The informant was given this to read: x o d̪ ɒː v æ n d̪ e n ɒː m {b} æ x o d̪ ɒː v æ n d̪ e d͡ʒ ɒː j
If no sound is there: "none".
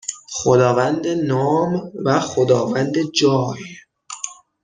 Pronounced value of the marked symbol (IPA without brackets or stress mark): v